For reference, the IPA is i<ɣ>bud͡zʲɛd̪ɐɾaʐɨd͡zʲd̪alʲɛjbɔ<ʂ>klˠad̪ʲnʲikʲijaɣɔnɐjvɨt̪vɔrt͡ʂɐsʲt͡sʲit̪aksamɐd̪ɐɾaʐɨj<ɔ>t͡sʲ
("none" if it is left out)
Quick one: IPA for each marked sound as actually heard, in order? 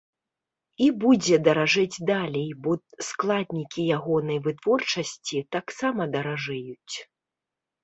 none, s, u

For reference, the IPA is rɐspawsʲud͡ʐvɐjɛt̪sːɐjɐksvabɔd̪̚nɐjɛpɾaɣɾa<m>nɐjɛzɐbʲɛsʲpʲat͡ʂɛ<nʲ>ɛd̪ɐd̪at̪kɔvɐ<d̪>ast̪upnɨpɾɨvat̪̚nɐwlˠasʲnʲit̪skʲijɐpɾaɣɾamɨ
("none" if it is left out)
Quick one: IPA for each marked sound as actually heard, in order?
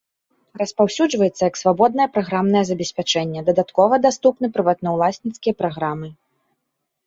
m, nʲː, d̪

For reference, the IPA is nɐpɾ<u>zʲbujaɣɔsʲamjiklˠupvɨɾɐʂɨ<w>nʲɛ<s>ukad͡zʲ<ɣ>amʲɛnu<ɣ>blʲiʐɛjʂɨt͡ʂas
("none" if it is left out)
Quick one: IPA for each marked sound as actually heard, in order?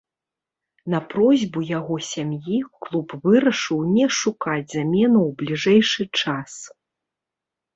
ɔ, w, ʂ, z, w

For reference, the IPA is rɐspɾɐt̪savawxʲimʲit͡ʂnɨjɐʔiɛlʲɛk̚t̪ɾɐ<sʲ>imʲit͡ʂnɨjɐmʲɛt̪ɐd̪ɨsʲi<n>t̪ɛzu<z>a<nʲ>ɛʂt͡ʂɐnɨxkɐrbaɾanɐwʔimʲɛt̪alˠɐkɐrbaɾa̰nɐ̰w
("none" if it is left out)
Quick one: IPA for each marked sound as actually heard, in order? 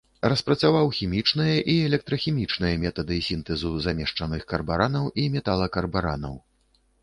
xʲ, n, z, mʲ

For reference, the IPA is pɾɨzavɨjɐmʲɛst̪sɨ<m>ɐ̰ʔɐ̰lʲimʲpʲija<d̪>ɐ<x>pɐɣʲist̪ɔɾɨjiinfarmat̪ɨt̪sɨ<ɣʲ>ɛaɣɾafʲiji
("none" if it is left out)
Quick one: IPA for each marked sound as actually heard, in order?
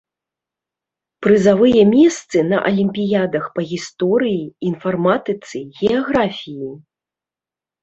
n, d̪, x, ɣʲ

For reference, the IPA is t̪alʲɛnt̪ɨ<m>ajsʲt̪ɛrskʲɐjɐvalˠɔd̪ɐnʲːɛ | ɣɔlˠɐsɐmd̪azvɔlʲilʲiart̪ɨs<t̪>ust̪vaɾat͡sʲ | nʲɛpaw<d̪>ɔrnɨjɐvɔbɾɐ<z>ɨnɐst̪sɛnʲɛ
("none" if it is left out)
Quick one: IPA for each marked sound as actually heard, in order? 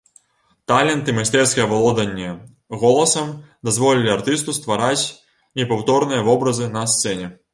m, t̪, t̪, z

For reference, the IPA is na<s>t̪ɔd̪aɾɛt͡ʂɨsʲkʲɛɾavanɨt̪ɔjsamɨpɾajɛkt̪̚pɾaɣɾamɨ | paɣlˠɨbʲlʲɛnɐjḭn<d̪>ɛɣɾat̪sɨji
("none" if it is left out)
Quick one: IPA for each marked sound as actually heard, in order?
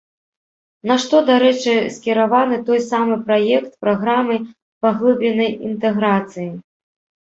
ʂ, t̪

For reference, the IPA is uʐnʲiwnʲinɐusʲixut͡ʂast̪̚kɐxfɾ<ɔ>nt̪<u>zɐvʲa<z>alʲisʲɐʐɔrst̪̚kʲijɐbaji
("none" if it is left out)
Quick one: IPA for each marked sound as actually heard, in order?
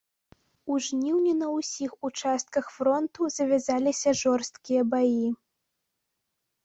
ɔ, u, z

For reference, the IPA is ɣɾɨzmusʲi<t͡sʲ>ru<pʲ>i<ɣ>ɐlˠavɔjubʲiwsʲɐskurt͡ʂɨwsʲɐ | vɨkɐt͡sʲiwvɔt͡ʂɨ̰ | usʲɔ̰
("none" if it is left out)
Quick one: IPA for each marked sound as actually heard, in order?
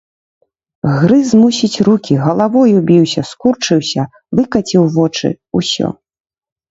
t͡sʲ, kʲ, ɣ

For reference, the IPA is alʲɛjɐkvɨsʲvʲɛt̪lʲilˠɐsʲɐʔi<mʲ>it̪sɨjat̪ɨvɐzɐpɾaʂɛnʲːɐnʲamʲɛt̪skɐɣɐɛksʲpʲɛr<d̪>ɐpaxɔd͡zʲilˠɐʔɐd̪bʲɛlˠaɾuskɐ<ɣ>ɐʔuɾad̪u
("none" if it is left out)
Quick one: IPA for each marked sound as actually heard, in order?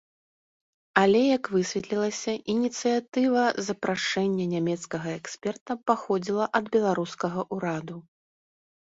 nʲ, t̪, ɣ

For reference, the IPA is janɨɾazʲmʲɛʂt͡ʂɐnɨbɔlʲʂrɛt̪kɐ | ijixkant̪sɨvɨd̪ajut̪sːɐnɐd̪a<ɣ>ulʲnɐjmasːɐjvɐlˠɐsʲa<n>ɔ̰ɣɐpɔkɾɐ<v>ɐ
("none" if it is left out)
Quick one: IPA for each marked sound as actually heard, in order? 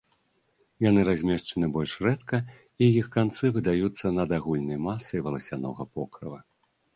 ɣ, n, v

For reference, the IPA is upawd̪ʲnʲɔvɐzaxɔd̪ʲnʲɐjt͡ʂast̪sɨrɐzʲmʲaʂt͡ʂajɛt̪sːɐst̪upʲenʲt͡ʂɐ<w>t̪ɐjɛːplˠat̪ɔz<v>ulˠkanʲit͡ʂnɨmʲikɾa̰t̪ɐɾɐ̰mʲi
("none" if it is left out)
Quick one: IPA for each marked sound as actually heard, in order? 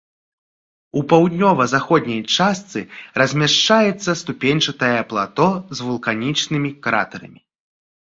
none, v

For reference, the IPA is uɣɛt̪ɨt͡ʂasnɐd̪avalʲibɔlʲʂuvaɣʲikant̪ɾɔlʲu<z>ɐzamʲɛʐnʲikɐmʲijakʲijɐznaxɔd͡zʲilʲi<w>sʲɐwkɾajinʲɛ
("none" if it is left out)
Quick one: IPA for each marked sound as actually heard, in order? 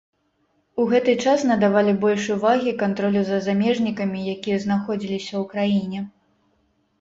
z, none

